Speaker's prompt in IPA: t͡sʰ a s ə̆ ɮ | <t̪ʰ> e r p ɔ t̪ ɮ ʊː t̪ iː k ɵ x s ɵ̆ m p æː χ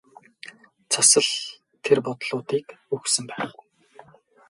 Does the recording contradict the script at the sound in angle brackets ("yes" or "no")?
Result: no